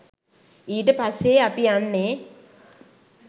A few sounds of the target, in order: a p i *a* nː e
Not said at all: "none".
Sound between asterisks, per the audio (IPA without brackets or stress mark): a